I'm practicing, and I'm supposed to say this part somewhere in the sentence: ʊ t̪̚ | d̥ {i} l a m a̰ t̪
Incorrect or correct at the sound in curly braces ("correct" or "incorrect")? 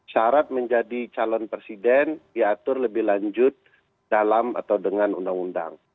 incorrect